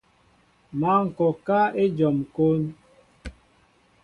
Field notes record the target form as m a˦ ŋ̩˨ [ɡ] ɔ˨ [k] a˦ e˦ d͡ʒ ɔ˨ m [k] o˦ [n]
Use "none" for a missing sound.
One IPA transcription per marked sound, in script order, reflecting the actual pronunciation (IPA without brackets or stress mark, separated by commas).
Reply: k, k, k, n